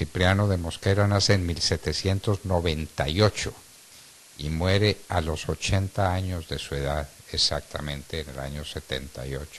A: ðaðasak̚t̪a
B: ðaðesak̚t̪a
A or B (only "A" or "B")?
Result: B